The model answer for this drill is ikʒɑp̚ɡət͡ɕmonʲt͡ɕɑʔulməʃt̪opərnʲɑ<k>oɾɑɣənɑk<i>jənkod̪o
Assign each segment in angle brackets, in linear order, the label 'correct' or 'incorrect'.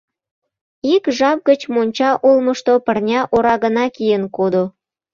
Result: incorrect, correct

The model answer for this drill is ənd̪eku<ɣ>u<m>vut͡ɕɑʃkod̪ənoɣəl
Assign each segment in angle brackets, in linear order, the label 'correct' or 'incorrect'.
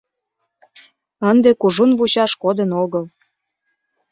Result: incorrect, incorrect

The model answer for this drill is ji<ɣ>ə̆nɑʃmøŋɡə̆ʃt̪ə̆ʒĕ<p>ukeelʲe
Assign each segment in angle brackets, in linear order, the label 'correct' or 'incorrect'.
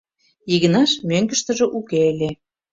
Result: correct, incorrect

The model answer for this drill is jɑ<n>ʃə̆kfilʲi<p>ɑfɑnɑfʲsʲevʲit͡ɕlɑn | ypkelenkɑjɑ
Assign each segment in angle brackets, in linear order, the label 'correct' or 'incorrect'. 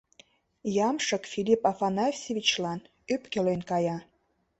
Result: incorrect, correct

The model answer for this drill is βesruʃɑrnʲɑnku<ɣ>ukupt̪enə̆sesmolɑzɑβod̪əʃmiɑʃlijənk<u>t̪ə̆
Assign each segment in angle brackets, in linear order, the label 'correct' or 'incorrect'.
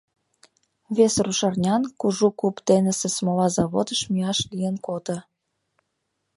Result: incorrect, incorrect

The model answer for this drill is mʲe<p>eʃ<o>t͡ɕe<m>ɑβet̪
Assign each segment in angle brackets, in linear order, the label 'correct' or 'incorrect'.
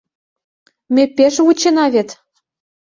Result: correct, incorrect, incorrect

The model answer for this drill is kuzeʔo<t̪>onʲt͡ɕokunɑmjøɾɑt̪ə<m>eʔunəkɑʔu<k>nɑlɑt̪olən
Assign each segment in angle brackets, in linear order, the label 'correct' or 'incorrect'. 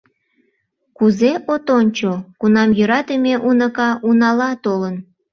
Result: correct, correct, incorrect

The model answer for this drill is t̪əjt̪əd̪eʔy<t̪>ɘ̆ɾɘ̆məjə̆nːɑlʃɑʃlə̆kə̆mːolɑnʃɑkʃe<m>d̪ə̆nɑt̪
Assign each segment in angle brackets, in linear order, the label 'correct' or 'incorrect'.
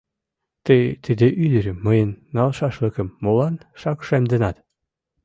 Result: incorrect, correct

